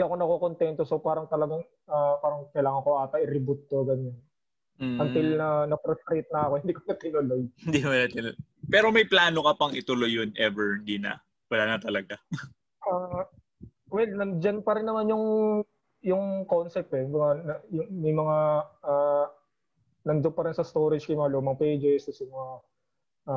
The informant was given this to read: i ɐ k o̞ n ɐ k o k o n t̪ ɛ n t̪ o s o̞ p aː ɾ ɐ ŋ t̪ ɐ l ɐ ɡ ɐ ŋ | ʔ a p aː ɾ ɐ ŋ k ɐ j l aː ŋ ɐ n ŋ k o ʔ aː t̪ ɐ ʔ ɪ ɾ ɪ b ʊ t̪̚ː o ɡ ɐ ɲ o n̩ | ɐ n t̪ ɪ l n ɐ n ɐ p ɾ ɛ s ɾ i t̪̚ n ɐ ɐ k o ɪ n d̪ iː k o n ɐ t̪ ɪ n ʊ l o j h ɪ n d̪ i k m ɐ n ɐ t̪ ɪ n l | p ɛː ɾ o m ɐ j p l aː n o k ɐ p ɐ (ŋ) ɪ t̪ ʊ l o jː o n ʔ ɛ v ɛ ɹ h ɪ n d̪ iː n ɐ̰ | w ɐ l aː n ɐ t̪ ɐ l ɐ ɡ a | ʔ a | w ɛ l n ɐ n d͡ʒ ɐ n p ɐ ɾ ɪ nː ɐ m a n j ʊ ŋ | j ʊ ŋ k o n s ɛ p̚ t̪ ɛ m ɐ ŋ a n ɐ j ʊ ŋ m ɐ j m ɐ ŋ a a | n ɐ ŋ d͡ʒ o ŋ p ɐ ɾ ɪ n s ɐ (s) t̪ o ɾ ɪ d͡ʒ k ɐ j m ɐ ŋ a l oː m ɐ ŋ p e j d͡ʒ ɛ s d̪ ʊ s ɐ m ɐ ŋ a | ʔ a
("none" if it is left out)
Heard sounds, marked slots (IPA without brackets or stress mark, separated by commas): ŋ, s